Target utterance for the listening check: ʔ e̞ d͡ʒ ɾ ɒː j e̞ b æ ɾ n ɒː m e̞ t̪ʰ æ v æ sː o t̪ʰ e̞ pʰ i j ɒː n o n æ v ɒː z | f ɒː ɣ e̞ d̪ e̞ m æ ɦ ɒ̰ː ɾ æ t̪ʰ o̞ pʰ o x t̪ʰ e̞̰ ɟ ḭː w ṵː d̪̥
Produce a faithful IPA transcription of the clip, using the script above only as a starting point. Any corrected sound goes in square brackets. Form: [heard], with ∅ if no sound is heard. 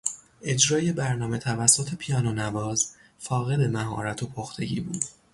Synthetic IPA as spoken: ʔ e̞ d͡ʒ ɾ ɒː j e̞ b æ ɾ n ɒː m e̞ t̪ʰ æ v æ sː o t̪ʰ e̞ pʰ i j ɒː n o n æ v ɒː z | f ɒː ɣ e̞ d̪ e̞ m æ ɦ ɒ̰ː ɾ æ t̪ʰ o̞ pʰ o x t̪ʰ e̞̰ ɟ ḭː [b] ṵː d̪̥